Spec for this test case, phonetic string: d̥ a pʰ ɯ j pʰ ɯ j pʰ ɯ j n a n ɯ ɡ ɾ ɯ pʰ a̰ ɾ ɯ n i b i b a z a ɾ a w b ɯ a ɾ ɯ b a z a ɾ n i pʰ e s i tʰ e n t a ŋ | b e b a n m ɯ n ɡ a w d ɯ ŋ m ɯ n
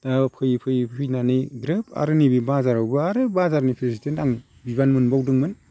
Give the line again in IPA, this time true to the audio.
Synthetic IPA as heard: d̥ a pʰ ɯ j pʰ ɯ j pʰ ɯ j n a n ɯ ɡ ɾ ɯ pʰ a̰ ɾ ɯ n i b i b a z a ɾ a w b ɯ a ɾ ɯ b a z a ɾ n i pʰ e s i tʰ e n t a ŋ | b i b a n m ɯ n b a w d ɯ ŋ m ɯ n